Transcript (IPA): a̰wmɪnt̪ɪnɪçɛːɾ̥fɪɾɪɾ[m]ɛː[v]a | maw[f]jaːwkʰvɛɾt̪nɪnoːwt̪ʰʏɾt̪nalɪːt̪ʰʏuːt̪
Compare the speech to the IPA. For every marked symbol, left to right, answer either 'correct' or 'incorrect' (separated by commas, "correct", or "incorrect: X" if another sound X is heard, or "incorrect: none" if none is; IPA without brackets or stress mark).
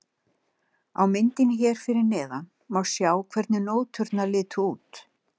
incorrect: n, incorrect: ð, incorrect: s